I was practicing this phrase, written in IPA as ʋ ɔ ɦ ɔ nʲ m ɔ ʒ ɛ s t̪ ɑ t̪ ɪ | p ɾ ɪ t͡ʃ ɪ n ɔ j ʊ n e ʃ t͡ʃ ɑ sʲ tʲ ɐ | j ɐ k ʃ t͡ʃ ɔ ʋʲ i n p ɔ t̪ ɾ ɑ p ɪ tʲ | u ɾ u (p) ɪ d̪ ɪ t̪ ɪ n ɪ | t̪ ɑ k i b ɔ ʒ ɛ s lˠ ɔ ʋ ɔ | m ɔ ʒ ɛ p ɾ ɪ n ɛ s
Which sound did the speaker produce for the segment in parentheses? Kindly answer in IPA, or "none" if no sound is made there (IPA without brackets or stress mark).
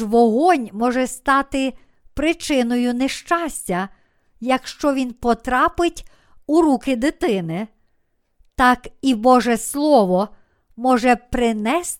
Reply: k